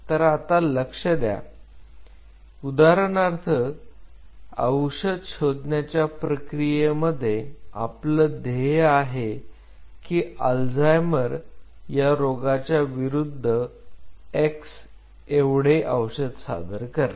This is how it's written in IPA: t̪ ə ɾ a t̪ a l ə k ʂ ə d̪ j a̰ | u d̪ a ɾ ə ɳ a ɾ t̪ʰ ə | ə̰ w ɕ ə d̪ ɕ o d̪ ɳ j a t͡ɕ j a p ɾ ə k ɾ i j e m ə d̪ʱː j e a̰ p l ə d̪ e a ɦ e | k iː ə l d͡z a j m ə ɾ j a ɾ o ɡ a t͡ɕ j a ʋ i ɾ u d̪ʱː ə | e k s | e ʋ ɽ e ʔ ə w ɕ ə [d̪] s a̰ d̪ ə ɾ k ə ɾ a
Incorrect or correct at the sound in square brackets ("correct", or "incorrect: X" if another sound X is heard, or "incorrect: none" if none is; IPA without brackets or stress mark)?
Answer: correct